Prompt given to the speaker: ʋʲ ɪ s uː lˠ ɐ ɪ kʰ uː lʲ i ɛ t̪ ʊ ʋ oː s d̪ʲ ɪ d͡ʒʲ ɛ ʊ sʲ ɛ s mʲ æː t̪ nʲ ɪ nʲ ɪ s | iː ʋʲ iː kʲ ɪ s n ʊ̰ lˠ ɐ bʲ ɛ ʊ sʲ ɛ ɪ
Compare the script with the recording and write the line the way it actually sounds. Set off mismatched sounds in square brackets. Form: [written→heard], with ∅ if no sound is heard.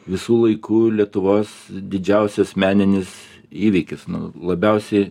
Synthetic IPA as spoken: ʋʲ ɪ s uː lˠ ɐ ɪ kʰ uː lʲ i ɛ t̪ ʊ ʋ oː s d̪ʲ ɪ d͡ʒʲ ɛ ʊ sʲ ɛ s mʲ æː [t̪→∅] nʲ ɪ nʲ ɪ s | iː ʋʲ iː kʲ ɪ s n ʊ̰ lˠ ɐ bʲ ɛ ʊ sʲ ɛ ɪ